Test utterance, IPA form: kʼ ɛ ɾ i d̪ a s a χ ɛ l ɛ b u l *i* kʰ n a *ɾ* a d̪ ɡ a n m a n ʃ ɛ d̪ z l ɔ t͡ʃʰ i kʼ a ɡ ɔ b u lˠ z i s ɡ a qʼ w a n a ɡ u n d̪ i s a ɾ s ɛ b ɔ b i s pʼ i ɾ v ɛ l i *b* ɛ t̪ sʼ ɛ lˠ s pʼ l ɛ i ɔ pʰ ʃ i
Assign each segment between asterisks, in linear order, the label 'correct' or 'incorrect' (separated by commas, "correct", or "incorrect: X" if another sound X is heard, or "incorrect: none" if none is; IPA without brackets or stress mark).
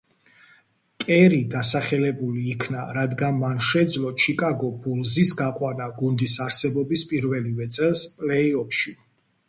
incorrect: iː, correct, incorrect: v